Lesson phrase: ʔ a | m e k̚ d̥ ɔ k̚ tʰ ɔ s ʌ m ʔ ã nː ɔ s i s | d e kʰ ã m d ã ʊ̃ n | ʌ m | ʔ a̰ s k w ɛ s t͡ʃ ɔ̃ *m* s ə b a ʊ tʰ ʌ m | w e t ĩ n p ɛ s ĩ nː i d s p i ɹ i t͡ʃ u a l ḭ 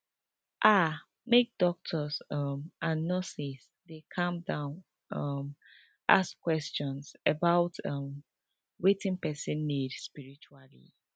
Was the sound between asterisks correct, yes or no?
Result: no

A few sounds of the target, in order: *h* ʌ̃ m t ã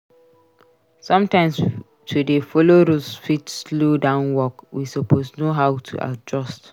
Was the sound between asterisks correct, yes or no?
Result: no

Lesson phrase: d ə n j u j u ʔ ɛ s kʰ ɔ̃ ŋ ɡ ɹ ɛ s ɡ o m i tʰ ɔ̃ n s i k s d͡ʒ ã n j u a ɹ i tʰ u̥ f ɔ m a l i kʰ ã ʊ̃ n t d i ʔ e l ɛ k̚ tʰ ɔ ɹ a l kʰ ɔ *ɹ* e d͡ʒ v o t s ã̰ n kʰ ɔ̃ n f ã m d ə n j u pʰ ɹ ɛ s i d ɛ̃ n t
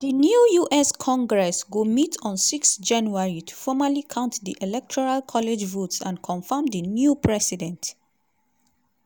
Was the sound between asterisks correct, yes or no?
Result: no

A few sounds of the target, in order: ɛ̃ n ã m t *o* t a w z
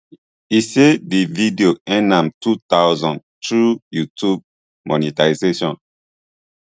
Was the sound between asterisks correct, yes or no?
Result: no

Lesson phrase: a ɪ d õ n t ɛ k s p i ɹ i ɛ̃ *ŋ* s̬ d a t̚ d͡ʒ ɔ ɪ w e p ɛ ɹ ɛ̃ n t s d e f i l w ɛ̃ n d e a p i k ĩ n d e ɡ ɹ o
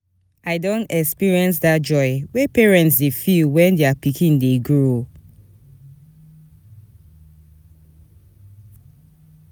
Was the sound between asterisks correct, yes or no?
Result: no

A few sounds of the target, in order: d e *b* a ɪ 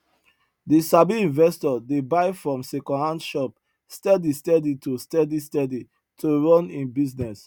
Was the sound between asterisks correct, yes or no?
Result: yes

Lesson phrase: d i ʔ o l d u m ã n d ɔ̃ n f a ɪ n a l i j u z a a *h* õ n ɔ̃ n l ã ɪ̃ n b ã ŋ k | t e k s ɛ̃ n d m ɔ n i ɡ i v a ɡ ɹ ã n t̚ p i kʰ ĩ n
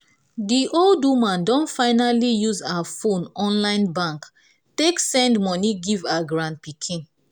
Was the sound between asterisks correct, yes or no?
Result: no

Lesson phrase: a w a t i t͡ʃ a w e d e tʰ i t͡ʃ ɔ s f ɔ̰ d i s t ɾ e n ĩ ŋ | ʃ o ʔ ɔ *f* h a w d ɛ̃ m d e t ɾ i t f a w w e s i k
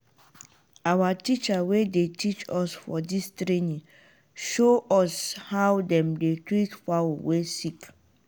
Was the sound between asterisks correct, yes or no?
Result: no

